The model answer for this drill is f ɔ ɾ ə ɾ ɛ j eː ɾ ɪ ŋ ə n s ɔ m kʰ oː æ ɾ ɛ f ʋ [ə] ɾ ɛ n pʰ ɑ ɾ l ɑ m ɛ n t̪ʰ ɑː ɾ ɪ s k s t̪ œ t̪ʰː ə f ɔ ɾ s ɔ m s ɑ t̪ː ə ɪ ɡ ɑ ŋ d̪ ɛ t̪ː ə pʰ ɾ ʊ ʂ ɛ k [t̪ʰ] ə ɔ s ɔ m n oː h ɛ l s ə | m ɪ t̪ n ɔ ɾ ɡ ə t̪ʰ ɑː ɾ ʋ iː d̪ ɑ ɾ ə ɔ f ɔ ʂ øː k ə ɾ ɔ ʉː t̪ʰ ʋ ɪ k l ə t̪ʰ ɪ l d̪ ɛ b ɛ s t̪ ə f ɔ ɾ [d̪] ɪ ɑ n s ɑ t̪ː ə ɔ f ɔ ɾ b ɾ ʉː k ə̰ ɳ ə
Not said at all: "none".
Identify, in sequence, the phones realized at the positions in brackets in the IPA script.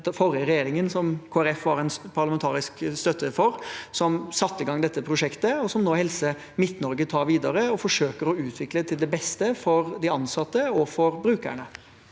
ɑ, t̪, d̪

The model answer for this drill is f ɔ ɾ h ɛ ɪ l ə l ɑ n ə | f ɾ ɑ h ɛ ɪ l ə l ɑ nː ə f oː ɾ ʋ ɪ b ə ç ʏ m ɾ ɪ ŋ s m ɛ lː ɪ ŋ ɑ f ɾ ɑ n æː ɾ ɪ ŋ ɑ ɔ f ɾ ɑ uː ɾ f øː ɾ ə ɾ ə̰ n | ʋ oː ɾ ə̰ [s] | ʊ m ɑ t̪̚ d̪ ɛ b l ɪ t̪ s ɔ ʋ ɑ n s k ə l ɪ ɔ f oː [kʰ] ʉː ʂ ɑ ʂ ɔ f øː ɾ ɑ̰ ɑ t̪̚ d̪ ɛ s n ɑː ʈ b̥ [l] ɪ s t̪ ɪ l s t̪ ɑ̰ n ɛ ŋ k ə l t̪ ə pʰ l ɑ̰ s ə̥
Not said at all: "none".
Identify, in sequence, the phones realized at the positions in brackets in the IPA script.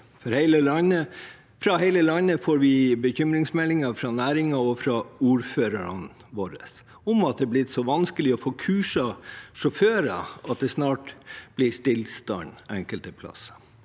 s, kʰ, l

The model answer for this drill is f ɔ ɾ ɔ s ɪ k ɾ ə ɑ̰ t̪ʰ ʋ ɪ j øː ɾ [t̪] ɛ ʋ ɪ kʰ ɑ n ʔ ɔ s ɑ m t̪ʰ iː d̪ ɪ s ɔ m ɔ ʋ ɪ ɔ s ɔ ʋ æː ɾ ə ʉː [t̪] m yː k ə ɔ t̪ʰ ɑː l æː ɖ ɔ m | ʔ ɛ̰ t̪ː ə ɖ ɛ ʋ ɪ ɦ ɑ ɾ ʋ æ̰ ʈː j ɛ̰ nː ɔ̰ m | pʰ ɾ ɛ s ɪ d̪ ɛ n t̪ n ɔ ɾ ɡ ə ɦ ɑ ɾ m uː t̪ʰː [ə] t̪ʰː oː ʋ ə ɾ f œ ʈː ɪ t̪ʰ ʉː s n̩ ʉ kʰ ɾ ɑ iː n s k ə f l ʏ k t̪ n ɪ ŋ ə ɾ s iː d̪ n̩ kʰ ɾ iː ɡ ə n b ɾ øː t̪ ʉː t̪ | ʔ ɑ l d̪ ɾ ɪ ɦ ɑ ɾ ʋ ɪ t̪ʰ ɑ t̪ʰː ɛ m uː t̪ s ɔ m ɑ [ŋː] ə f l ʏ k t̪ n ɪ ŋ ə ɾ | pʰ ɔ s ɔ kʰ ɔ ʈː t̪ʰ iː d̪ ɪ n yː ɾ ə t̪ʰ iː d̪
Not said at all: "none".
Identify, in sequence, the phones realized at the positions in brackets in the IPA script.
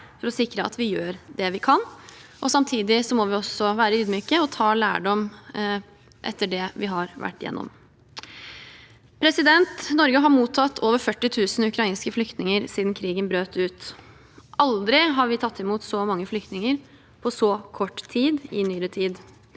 d̪, d̪, ɑ, ŋː

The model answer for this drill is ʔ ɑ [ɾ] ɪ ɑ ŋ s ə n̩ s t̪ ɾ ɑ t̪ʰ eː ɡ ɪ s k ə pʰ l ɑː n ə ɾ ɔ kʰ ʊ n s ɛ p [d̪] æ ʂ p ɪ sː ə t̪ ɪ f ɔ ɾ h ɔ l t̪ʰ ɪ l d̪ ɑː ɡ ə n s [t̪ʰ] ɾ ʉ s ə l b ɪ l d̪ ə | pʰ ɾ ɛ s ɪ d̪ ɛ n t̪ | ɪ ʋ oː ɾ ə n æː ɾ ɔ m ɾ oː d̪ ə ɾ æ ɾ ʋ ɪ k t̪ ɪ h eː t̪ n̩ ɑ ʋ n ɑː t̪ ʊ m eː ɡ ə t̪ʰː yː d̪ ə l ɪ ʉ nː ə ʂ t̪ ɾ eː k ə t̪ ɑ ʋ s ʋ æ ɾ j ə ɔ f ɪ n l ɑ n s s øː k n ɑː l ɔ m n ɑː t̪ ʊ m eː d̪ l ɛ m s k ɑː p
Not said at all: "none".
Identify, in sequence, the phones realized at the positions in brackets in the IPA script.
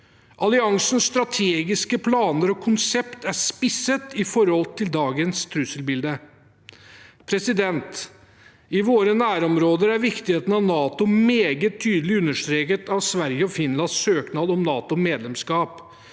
l, t̪, t̪ʰ

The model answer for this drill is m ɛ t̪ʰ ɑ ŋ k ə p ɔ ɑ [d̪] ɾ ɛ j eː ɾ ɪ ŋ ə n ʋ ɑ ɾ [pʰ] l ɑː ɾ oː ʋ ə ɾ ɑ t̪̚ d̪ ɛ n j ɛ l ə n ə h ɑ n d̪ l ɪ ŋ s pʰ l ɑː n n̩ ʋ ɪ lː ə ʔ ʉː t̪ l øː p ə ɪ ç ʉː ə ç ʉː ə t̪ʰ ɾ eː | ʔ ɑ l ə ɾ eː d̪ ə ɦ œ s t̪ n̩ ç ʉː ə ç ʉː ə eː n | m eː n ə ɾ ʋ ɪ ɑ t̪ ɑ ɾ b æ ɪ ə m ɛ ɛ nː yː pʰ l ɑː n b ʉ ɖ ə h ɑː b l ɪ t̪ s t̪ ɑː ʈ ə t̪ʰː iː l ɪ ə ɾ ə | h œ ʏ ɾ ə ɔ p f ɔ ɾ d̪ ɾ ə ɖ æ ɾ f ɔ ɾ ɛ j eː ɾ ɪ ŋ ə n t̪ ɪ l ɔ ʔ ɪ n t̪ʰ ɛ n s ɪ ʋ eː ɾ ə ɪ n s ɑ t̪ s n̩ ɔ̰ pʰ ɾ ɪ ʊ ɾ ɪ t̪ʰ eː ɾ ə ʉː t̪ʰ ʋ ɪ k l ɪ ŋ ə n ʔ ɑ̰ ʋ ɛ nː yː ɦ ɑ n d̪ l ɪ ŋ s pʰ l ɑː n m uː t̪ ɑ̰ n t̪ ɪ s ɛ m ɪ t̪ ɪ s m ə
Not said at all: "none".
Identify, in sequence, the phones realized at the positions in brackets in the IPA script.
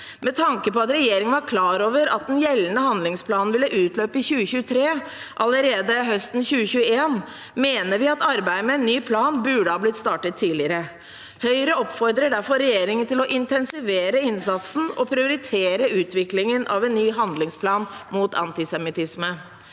t̪, kʰ

